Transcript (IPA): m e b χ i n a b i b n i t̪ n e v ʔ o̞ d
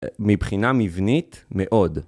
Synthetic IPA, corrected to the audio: m i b χ i n a m i v n i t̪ m e ʔ o̞ d